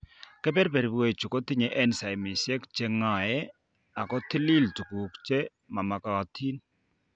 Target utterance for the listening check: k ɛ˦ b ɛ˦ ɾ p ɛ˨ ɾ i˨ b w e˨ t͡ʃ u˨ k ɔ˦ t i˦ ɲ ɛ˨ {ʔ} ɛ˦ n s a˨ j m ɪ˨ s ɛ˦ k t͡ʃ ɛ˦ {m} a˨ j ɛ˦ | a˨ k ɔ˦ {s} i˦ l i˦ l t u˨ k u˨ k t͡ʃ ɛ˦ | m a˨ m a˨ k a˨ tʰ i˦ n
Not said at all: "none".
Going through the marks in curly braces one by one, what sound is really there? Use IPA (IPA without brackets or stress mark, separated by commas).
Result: ʔ, ŋ, t